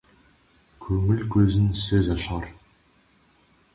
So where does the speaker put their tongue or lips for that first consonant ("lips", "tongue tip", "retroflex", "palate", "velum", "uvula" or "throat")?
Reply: velum